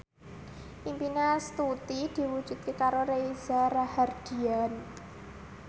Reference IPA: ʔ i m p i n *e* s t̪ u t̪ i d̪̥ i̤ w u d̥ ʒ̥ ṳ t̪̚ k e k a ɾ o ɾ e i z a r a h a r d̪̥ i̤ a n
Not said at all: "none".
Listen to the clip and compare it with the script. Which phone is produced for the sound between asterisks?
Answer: a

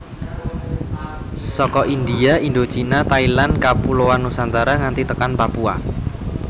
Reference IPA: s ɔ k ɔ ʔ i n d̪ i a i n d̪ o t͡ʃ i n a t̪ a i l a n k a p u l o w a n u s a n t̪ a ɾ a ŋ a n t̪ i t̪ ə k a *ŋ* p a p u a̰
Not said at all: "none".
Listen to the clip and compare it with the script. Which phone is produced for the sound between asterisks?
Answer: n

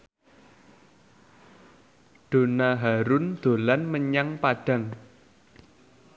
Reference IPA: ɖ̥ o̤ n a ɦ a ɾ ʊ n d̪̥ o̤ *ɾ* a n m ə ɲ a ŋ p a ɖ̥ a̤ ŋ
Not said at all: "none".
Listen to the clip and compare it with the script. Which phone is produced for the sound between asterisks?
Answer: l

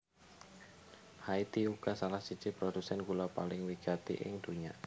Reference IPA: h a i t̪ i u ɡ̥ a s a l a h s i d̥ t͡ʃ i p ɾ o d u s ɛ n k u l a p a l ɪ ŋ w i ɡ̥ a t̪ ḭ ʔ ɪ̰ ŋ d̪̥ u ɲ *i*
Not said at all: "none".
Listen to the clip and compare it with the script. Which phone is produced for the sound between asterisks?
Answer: a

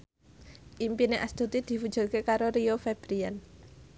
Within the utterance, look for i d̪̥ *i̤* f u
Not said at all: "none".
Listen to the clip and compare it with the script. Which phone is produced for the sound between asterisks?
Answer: i̤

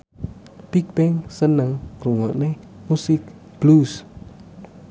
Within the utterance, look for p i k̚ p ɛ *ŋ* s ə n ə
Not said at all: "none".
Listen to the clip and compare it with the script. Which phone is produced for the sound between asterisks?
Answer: ŋ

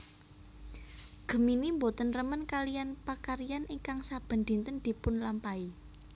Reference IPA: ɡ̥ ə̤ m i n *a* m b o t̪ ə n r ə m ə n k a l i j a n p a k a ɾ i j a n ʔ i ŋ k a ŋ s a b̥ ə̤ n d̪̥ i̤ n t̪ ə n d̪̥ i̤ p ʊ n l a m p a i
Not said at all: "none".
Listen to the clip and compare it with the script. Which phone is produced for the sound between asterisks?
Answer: i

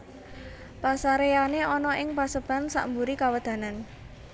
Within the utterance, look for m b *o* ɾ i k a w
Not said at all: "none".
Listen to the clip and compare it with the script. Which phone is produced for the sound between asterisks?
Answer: u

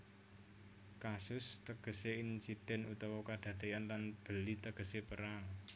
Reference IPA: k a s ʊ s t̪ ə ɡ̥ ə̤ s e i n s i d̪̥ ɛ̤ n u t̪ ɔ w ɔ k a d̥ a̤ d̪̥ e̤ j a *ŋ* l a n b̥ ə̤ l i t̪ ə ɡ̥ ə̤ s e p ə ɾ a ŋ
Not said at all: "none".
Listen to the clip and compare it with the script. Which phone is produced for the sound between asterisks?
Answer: n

